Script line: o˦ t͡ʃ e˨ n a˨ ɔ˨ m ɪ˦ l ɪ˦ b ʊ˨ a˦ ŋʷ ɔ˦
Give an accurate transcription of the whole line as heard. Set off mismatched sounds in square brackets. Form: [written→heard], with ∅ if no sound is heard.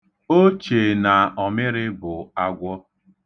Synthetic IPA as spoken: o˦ t͡ʃ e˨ n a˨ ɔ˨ m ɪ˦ [l→ɾ] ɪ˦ b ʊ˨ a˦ [ŋʷ→ɡʷ] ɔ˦